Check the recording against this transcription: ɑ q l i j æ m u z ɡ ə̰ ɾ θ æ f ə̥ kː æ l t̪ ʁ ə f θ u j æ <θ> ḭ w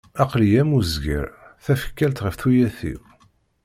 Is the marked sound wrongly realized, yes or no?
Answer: no